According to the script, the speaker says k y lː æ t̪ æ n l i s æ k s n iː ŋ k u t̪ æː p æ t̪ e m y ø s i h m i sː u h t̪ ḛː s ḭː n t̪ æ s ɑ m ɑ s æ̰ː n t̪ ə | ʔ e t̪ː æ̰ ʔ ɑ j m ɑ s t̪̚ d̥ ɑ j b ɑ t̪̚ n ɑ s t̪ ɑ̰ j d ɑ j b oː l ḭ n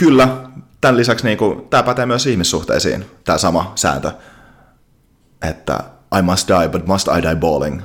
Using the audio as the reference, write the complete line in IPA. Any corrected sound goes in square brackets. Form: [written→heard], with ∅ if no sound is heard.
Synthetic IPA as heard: k y lː æ t̪ æ n l i s æ k s n iː ŋ k u t̪ æː p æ t̪ e m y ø s i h m i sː u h t̪ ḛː s ḭː n t̪ [æ→æː] s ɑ m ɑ s æ̰ː n t̪ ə | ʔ e t̪ː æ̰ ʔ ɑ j m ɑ s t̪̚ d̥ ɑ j b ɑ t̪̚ [n→m] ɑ s t̪ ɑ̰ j d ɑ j b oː l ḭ [n→ŋ]